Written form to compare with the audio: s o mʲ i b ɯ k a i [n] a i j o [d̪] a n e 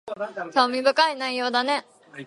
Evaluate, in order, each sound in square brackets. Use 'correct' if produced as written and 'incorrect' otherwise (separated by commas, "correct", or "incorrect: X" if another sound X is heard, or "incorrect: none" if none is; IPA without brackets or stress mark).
correct, correct